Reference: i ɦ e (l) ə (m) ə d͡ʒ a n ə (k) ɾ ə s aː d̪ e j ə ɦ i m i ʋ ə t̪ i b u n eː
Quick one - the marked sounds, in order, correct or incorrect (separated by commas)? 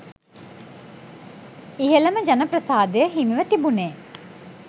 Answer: correct, correct, incorrect